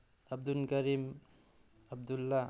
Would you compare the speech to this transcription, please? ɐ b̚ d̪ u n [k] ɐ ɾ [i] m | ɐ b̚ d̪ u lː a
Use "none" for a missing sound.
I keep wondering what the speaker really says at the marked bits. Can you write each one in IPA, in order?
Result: k, i

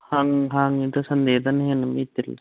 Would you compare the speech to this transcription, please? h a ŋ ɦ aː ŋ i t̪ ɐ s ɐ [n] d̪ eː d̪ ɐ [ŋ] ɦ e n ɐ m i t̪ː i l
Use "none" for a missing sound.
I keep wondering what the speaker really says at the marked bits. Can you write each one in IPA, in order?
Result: n, n

